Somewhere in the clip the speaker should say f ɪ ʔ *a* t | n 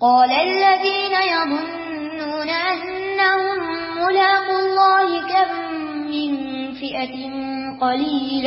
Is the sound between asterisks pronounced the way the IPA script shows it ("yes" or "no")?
yes